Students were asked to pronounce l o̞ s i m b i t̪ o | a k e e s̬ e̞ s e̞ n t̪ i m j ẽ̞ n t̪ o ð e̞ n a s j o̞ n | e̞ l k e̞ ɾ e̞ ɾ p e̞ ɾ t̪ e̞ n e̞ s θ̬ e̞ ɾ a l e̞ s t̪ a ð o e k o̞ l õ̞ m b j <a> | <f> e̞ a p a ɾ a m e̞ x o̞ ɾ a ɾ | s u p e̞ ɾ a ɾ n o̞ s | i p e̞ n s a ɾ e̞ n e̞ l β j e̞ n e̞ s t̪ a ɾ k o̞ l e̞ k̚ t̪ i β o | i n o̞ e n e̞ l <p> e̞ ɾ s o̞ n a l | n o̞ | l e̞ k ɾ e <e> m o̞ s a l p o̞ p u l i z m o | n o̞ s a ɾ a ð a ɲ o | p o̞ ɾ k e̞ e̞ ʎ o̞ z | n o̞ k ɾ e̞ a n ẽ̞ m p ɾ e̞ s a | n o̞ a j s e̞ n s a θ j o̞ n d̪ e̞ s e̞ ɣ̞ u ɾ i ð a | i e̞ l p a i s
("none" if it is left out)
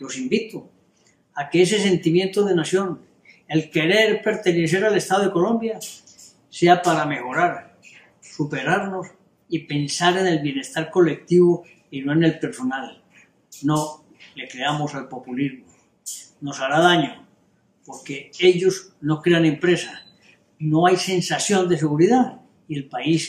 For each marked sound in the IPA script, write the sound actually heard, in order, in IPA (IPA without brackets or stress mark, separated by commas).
a, s, p, a